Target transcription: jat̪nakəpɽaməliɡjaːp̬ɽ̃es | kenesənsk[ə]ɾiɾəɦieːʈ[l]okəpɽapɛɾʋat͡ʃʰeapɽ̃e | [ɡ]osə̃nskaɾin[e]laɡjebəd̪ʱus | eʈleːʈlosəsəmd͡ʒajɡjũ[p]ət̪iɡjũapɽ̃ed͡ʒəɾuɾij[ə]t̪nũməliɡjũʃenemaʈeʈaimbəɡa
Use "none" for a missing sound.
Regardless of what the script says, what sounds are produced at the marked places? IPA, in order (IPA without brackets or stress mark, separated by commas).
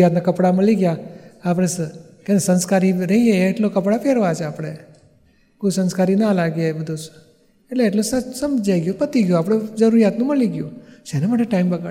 a, l, k, a, p, a